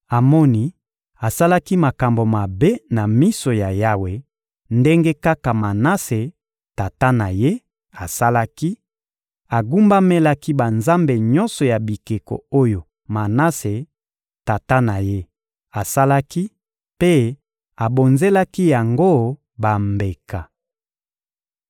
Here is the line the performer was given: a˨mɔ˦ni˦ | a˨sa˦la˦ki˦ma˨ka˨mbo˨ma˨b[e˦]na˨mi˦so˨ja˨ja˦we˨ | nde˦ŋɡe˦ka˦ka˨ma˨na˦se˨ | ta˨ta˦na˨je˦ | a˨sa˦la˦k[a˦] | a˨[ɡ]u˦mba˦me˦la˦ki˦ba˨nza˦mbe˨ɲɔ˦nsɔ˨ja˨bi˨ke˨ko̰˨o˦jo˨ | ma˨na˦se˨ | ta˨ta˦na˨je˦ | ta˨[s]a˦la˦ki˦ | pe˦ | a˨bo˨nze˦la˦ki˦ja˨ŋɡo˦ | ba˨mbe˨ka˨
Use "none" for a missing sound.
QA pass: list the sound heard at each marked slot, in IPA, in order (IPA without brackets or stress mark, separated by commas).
e˦, i˦, ɡ, s